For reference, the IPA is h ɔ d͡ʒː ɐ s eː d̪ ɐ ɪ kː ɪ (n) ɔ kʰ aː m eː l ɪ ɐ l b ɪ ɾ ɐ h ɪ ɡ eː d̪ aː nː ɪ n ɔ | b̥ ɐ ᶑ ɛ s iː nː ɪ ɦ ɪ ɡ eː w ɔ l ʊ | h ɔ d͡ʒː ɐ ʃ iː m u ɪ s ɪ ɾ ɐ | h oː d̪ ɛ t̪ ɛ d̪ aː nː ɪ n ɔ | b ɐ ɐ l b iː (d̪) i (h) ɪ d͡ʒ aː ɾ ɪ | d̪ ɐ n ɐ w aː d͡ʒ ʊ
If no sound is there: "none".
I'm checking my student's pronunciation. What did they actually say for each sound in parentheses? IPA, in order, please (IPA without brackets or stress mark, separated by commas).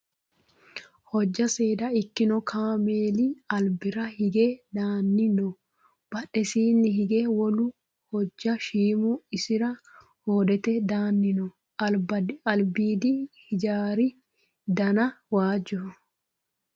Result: n, d̪, h